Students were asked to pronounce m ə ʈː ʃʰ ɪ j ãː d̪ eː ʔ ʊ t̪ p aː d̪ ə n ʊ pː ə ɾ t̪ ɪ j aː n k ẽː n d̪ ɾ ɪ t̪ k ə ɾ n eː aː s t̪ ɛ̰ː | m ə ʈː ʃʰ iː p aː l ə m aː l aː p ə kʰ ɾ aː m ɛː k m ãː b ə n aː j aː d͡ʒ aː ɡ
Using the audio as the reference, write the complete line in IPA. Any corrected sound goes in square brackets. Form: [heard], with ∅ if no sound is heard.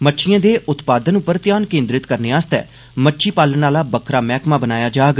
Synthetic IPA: m ə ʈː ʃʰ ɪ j ãː d̪ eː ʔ ʊ t̪ p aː d̪ ə n ʊ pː ə ɾ t̪ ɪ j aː n k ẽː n d̪ ɾ ɪ t̪ k ə ɾ n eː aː s t̪ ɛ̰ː | m ə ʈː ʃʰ iː p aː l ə [n] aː l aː [b] ə kʰ ɾ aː m ɛː k m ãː b ə n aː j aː d͡ʒ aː ɡ

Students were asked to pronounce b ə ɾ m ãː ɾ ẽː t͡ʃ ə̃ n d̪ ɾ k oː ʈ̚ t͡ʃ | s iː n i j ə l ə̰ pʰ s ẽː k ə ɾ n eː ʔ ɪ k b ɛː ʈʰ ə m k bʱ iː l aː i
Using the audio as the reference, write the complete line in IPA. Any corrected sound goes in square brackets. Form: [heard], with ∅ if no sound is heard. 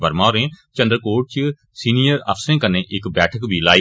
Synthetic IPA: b ə ɾ m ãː ɾ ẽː t͡ʃ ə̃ n d̪ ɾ k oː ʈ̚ t͡ʃ | s iː n i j ə [ɾ] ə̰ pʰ s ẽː k ə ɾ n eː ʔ ɪ k b ɛː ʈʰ ə [∅] k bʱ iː l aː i

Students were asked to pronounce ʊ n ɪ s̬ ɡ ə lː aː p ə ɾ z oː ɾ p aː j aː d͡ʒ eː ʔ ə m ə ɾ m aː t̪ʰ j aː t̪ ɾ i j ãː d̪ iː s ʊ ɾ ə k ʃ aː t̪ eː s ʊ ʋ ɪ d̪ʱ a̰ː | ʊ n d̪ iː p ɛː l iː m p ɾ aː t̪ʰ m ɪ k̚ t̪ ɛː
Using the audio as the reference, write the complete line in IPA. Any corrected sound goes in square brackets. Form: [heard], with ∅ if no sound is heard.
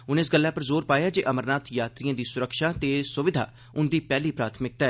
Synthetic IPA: ʊ n ɪ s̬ ɡ ə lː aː p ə ɾ z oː ɾ p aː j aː d͡ʒ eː ʔ ə m ə ɾ [n] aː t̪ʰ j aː t̪ ɾ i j ãː d̪ iː s ʊ ɾ ə k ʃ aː t̪ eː s ʊ ʋ ɪ d̪ʱ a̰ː | ʊ n d̪ iː p ɛː l iː [∅] p ɾ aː t̪ʰ m ɪ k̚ t̪ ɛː

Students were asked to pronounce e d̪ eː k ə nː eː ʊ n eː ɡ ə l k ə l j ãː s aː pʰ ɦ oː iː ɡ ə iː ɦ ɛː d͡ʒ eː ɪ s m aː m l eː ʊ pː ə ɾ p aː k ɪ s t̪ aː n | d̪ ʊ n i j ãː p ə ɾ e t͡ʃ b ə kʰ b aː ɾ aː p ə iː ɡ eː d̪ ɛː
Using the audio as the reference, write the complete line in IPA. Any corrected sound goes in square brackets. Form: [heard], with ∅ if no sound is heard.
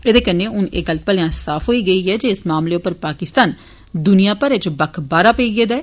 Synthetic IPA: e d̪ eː k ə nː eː ʊ n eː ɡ ə l [p] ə l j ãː s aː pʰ ɦ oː iː ɡ ə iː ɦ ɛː d͡ʒ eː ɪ s m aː m l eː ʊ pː ə ɾ p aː k ɪ s t̪ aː n | d̪ ʊ n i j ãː p ə ɾ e t͡ʃ b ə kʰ b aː ɾ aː p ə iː ɡ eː d̪ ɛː

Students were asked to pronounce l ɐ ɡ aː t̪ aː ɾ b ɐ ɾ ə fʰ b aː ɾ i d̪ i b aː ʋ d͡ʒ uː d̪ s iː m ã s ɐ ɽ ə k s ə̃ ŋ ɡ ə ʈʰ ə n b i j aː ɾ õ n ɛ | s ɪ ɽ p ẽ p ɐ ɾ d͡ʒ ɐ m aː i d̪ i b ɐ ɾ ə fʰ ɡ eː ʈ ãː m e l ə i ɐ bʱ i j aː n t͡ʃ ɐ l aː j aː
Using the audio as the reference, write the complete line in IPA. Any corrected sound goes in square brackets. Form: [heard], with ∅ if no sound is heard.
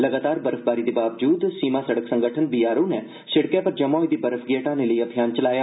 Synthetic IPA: l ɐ ɡ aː t̪ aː ɾ b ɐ ɾ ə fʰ b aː ɾ i d̪ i b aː ʋ d͡ʒ uː d̪ s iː m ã s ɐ ɽ ə k s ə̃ ŋ ɡ ə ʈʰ ə n b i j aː ɾ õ n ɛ | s ɪ ɽ [k] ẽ p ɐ ɾ d͡ʒ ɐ m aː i d̪ i b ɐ ɾ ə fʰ ɡ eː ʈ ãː [n] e l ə i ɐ bʱ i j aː n t͡ʃ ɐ l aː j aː

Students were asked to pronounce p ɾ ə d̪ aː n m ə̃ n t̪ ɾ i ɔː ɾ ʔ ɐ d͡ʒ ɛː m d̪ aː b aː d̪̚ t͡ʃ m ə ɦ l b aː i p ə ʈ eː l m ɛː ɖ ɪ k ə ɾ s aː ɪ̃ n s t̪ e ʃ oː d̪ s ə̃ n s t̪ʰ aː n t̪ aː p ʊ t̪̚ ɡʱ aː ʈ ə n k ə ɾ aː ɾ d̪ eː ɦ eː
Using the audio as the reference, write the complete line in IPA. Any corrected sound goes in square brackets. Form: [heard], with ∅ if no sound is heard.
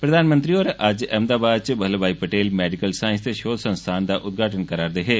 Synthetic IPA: p ɾ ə d̪ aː n m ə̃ n t̪ ɾ i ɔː ɾ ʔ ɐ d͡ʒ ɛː m d̪ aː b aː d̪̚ t͡ʃ [b] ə ɦ l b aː i p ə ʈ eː l m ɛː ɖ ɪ k ə [l] s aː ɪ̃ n s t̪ e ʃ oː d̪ s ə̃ n s t̪ʰ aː n [d̪] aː [ʔ] ʊ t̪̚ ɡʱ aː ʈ ə n k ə ɾ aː ɾ d̪ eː ɦ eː

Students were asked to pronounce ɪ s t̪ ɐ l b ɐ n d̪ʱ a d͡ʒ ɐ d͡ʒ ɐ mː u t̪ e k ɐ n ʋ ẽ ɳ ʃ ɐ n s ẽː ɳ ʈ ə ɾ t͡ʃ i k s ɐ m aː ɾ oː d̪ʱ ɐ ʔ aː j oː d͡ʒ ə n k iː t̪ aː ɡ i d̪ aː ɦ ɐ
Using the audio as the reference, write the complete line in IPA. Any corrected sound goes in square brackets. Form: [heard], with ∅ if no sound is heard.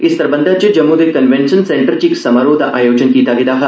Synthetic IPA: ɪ s t̪ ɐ [ɾ] b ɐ n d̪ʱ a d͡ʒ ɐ d͡ʒ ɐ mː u [d̪] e k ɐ n ʋ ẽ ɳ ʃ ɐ n s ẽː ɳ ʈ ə ɾ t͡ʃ i k s ɐ m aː ɾ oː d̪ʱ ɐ ʔ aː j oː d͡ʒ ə n k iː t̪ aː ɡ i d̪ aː ɦ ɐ

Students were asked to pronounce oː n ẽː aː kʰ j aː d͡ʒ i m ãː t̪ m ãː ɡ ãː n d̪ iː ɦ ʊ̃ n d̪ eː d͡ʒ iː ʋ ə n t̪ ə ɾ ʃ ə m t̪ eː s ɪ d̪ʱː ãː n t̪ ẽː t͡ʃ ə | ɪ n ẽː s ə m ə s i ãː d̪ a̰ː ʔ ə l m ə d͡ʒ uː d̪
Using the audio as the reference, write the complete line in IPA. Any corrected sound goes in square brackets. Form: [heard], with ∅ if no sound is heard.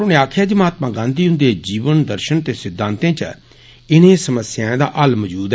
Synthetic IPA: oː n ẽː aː kʰ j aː d͡ʒ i m [aː] t̪ m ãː ɡ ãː n d̪ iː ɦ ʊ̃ n d̪ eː d͡ʒ iː ʋ ə n [d̪] ə ɾ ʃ ə [n] t̪ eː s ɪ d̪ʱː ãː n t̪ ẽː t͡ʃ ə | ɪ n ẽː s ə m ə s [j] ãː d̪ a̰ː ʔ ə l m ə d͡ʒ uː d̪

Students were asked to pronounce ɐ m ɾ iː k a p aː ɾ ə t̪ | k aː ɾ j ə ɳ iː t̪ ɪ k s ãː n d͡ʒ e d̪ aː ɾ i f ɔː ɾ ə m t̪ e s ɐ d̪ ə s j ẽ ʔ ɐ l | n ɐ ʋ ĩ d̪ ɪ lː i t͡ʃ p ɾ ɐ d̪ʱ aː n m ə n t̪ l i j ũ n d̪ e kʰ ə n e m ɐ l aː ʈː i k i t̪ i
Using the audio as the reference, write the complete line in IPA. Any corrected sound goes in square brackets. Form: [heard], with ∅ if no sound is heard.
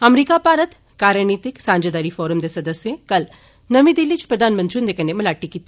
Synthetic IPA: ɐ m ɾ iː k a p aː ɾ ə t̪ | k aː ɾ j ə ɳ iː t̪ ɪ k s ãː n d͡ʒ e d̪ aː ɾ i f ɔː ɾ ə m [d̪] e s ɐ d̪ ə s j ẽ [k] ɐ l | n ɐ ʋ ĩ d̪ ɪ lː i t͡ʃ p ɾ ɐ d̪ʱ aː n m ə n t̪ [ɾ] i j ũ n d̪ e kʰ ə n e m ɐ l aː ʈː i k i t̪ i

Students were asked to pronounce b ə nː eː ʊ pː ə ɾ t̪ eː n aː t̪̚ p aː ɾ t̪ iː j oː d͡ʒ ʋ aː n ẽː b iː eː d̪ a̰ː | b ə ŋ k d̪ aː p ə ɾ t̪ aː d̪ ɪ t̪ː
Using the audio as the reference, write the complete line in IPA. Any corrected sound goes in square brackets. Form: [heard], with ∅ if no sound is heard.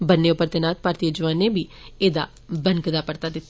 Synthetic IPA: b ə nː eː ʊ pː ə ɾ t̪ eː n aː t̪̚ p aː ɾ t̪ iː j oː d͡ʒ ʋ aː n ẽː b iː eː d̪ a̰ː | b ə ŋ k d̪ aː p ə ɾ t̪ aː d̪ ɪ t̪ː

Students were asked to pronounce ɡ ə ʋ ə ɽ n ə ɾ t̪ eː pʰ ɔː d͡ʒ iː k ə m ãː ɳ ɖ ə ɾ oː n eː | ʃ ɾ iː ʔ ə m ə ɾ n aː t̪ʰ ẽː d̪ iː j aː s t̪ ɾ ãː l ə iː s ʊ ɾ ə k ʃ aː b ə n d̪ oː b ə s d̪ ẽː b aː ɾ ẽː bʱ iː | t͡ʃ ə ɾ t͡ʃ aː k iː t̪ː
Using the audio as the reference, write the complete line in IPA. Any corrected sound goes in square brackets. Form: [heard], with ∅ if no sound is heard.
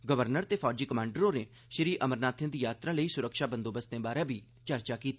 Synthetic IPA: ɡ ə ʋ ə [ɾ] n ə ɾ t̪ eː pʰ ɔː d͡ʒ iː k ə m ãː ɳ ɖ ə ɾ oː n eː | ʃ ɾ iː ʔ ə m ə ɾ n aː t̪ʰ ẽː d̪ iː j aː [∅] t̪ ɾ ãː l ə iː s ʊ ɾ ə k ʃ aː b ə n d̪ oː b ə s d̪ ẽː b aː ɾ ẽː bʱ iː | t͡ʃ ə ɾ t͡ʃ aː k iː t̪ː

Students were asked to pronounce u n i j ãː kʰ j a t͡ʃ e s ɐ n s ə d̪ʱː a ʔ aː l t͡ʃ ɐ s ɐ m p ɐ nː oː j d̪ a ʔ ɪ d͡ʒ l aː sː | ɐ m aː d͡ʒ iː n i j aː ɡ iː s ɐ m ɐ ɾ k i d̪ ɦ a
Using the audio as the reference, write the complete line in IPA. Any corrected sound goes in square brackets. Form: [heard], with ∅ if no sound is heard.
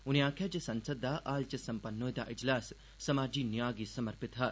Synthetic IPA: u n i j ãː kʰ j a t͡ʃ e s ɐ n s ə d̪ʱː a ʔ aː l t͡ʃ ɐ s ɐ m p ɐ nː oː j d̪ a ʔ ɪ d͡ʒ l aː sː | ɐ m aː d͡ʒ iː n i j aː ɡ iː s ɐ m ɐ ɾ [p] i [t̪] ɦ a

